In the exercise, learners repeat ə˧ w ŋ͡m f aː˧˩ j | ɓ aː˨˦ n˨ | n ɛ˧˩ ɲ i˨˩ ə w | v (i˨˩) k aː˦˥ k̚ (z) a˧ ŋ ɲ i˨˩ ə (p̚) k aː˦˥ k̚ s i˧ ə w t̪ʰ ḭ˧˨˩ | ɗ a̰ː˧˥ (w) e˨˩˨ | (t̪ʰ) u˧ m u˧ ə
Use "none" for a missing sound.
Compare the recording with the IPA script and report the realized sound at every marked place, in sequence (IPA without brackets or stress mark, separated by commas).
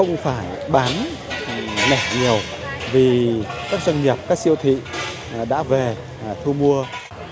i˨˩, z, p̚, v, t̪ʰ